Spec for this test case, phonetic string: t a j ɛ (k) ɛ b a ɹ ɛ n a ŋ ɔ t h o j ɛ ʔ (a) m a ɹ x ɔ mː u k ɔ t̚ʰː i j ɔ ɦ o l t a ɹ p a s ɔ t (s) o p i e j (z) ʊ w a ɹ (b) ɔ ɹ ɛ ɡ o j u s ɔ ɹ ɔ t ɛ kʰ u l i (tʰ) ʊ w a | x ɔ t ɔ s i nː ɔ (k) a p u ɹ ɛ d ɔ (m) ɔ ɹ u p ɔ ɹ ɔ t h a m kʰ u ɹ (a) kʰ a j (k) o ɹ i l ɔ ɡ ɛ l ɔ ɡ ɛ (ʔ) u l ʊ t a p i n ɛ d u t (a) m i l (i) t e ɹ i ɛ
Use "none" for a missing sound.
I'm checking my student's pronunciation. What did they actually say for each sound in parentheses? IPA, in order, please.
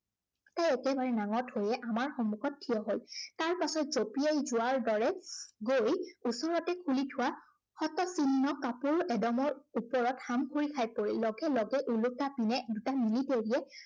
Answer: k, a, z, z, d, tʰ, k, m, i, p, ʔ, a, i

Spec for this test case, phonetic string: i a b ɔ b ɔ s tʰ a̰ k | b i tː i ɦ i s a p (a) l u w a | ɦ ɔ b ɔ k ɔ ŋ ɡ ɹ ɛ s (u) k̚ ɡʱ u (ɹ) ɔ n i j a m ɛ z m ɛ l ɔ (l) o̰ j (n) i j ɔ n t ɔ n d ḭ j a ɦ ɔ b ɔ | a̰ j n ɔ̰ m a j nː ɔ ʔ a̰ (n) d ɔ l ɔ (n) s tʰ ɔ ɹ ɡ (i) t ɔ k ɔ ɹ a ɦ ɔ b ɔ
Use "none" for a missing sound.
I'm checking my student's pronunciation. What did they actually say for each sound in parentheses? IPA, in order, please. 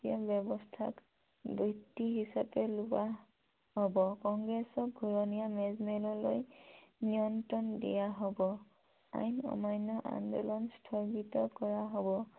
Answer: ɛ, ɔ, ɹ, l, n, n, n, i

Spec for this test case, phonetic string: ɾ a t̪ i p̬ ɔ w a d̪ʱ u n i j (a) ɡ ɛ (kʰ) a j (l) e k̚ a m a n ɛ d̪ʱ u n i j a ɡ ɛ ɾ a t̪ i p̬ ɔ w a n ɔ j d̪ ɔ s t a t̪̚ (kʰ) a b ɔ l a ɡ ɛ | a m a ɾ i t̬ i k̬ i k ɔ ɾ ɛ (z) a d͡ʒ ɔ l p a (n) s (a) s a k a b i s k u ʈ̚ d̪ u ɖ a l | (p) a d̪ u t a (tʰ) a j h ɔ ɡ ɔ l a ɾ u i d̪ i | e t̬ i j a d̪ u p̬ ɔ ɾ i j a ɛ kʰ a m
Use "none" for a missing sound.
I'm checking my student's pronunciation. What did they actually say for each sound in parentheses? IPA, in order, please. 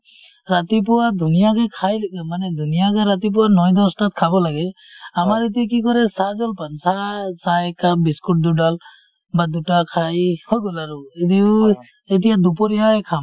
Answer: a, kʰ, l, kʰ, s, n, a, b, kʰ

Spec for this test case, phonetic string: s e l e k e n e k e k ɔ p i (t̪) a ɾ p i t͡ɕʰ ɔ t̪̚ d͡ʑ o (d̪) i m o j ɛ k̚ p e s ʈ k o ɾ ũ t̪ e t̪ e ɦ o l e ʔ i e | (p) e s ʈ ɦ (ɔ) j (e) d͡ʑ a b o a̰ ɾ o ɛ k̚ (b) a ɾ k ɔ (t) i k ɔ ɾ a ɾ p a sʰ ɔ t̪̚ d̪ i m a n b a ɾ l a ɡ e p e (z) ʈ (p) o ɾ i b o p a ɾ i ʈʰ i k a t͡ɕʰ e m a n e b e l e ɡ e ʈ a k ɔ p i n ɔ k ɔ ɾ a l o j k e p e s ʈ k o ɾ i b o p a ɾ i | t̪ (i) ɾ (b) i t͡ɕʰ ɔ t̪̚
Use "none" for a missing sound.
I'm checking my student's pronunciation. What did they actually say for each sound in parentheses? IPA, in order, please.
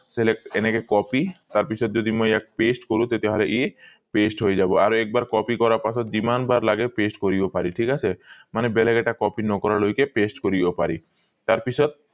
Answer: t̪, d̪, p, o, e, b, p, s, k, a, p

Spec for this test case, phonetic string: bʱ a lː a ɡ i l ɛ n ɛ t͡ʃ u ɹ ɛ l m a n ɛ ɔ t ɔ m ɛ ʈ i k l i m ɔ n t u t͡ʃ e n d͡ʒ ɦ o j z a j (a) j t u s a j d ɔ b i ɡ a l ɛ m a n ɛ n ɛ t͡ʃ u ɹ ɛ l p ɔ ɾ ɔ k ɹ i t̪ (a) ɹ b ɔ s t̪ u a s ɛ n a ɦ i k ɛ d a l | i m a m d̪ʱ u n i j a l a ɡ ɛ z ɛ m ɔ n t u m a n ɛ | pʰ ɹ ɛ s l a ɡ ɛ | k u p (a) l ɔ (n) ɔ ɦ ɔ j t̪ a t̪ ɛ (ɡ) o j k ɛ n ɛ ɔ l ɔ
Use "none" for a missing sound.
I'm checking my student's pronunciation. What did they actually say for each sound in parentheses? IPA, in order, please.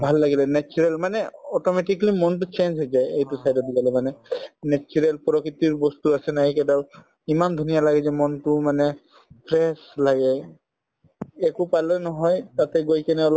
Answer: e, i, a, n, ɡ

